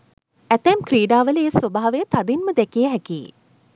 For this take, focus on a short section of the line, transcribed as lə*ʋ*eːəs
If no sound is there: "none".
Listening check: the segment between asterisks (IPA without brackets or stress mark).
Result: none